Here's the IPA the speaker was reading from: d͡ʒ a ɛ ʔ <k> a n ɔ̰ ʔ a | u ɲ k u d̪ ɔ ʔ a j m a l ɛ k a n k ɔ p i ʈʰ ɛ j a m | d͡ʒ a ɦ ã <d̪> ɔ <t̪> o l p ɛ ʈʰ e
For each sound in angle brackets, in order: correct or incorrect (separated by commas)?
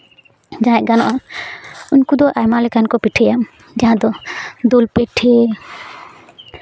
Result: incorrect, correct, incorrect